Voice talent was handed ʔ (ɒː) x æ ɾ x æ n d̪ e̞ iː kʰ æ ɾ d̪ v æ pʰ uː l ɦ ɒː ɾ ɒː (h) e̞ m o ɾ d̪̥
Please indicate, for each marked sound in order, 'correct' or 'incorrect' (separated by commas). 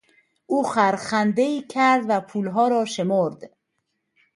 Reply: incorrect, incorrect